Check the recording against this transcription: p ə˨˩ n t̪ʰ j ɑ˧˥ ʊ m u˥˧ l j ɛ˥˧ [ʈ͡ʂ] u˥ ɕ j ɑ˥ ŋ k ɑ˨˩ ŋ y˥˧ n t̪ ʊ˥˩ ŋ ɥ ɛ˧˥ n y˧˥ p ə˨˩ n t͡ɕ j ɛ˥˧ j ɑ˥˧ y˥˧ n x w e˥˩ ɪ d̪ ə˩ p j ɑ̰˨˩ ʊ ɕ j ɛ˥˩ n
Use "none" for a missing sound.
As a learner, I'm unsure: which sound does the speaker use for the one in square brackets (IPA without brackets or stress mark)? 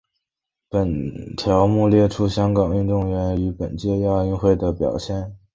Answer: ʈ͡ʂʰ